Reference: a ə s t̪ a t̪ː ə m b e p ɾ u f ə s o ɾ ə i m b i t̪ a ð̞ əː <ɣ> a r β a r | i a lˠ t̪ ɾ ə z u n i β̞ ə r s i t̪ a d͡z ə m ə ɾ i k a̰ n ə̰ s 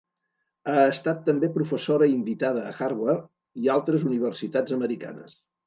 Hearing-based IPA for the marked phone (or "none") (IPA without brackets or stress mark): x